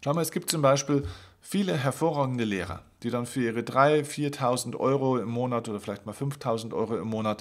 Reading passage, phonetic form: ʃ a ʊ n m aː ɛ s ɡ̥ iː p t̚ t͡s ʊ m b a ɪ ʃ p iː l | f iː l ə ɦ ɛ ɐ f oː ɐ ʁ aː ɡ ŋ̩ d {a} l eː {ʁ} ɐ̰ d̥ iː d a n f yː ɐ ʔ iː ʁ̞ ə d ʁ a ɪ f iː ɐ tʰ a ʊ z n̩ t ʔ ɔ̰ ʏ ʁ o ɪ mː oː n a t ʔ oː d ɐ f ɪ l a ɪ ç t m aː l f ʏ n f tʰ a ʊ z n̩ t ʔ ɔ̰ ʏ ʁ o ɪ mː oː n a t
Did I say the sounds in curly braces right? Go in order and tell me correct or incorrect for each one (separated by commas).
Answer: incorrect, correct